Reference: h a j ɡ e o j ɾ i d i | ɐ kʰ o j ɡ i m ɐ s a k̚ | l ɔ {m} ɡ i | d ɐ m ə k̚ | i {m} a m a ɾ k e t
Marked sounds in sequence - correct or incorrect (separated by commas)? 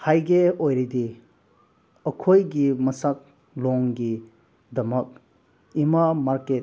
incorrect, correct